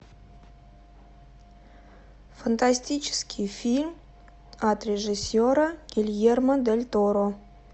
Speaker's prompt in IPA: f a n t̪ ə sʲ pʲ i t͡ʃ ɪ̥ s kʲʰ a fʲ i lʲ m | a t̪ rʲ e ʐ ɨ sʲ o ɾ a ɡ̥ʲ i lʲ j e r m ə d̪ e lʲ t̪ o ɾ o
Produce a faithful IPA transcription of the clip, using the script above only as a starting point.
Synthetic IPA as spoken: f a n t̪ a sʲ tʲ i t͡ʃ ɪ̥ s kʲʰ i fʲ i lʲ m | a t̪ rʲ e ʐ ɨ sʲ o ɾ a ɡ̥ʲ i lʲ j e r m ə d̪ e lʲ t̪ o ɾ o